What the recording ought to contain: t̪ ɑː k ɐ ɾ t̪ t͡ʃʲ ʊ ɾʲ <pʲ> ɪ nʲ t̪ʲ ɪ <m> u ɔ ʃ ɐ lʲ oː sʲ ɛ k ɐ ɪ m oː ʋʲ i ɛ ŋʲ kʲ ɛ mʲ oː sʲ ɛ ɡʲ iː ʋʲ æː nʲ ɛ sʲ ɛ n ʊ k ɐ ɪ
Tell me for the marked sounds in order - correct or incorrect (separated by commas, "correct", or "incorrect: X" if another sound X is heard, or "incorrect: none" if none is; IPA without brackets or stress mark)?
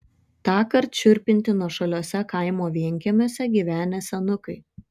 correct, incorrect: n